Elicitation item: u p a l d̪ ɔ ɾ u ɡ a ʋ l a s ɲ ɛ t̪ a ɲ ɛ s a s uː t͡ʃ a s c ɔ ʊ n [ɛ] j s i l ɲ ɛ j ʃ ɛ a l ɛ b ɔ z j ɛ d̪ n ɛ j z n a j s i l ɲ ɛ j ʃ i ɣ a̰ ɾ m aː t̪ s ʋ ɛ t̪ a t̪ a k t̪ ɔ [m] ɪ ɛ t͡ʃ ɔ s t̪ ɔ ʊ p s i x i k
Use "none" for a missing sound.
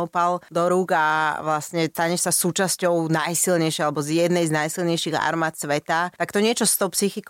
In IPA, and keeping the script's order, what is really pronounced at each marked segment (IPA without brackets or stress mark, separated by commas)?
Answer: a, ɲ